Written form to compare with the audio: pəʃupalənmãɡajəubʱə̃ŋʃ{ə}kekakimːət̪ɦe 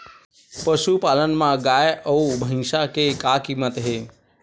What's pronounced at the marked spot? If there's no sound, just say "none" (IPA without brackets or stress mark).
a